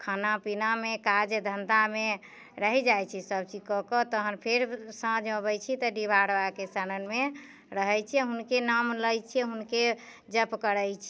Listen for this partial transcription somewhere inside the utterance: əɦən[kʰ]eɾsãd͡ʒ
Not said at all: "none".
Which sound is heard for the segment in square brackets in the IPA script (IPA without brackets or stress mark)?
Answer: pʰ